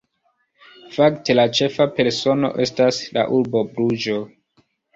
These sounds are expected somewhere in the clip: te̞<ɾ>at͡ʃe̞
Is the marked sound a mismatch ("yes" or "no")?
yes